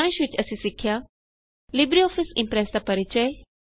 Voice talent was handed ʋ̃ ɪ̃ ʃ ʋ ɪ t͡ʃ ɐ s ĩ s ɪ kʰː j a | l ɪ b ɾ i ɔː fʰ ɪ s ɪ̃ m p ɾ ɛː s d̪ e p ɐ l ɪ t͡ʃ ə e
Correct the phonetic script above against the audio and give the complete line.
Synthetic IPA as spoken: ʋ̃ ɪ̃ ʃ ʋ ɪ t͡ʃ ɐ s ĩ s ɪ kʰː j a | l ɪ b ɾ i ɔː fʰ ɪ s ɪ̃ m p ɾ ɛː s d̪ a p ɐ ɾ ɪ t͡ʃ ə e